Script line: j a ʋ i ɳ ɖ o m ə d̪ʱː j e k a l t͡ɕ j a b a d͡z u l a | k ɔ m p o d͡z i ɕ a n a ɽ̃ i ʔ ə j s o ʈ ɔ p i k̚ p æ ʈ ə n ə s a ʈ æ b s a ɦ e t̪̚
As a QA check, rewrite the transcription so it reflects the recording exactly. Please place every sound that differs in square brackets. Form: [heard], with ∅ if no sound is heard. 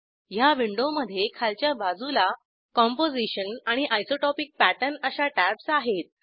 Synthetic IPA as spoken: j a ʋ i ɳ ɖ o m ə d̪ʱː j e [kʰ] a l t͡ɕ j a b a d͡z u l a | k ɔ m p o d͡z i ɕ [ə] n a ɽ̃ i ʔ [a] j s o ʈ ɔ p i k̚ p æ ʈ ə n ə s a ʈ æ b s a ɦ e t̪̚